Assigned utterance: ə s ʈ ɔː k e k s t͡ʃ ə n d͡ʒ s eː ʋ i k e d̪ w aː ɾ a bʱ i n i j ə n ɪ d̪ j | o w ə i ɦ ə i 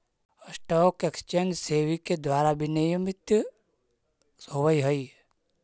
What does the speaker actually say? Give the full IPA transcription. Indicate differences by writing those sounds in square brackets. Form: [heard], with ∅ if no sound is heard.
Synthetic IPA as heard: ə s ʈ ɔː k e k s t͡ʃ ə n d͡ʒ s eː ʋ i k e d̪ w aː ɾ a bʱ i n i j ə [m] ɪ [t̪] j | o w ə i ɦ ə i